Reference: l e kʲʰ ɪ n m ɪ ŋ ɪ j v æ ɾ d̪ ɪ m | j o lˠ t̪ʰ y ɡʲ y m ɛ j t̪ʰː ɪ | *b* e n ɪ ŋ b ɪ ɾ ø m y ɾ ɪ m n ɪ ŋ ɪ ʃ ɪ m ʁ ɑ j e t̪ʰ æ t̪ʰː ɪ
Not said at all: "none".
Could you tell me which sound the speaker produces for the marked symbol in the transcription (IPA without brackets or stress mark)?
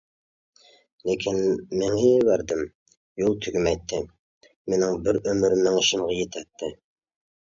m